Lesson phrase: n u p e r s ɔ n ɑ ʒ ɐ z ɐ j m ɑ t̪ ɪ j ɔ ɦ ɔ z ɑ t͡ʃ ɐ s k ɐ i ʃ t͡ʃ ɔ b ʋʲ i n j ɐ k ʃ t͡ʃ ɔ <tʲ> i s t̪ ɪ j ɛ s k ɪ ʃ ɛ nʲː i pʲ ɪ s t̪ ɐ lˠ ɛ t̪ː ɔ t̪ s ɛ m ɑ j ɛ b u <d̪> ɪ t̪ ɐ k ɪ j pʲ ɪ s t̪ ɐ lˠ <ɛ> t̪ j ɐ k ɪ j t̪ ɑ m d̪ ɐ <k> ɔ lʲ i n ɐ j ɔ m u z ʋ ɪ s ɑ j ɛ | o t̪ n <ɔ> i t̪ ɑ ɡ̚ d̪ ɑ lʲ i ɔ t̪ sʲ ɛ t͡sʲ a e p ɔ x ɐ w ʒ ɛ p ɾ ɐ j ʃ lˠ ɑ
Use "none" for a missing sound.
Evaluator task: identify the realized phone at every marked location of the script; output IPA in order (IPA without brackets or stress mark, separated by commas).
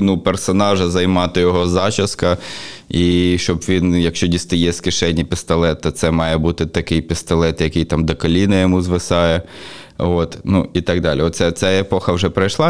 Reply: dʲ, t̪, ɛ, k, u